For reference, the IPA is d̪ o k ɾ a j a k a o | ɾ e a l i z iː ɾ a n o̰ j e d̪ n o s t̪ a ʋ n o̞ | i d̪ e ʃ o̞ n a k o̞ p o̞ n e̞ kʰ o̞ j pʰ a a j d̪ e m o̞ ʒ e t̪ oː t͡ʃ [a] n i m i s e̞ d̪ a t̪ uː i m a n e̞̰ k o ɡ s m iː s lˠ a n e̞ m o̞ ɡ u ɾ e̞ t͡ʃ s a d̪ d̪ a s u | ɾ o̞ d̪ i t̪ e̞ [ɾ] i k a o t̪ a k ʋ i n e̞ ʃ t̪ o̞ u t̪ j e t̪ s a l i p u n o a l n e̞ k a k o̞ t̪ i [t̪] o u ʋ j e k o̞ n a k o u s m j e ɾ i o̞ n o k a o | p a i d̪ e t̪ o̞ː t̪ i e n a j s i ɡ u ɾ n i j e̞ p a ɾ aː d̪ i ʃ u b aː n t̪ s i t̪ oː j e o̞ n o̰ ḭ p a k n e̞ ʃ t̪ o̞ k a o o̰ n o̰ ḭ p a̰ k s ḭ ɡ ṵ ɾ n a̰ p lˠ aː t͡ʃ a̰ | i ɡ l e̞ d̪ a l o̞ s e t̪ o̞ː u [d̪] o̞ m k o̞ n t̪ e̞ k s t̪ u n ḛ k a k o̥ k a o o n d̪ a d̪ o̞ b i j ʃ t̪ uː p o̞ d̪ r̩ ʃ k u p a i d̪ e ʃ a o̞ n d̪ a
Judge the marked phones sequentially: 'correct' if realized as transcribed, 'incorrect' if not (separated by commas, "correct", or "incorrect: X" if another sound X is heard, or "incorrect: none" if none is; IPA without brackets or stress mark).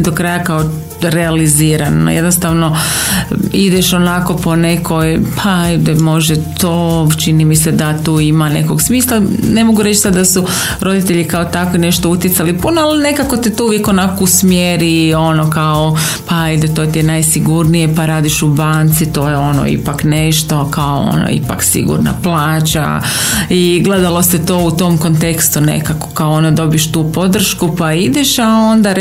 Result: incorrect: i, incorrect: ʎ, correct, incorrect: t̪